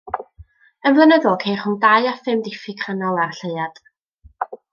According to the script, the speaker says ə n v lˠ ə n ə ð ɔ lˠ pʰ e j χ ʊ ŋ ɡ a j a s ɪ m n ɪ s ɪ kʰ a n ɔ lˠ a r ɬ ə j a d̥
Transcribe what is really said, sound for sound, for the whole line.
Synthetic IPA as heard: ə n v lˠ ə n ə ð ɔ lˠ kʰ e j χ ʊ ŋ d a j a f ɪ m d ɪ f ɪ kʰ a n ɔ lˠ a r ɬ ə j a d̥